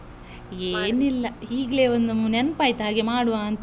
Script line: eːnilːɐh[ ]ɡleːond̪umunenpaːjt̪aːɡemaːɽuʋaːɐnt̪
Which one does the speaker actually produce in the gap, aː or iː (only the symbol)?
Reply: iː